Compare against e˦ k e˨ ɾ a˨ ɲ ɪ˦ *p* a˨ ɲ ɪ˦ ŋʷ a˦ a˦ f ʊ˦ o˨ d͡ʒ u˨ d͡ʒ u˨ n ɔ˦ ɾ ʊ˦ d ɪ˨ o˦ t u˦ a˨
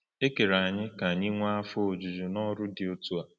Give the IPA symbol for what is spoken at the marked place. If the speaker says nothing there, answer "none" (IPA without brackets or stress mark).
k